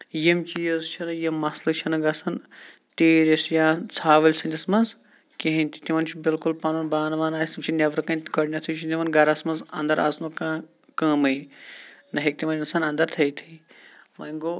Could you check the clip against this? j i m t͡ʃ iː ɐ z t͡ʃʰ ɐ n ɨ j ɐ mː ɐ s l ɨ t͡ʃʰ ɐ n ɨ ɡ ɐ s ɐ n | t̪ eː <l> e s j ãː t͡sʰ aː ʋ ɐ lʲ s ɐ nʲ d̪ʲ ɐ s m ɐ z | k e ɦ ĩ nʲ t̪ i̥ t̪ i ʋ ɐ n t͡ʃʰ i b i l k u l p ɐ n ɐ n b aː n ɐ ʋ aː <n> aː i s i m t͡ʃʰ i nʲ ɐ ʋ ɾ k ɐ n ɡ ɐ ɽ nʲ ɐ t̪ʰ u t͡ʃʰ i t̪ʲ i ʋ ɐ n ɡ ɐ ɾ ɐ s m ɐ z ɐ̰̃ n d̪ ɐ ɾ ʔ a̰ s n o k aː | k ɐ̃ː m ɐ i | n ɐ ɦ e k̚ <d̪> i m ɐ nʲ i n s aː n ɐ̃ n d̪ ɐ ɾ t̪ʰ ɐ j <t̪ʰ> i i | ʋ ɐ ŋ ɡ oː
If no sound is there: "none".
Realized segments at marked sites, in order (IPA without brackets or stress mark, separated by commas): ɾ, n, t̪, t̪ʰ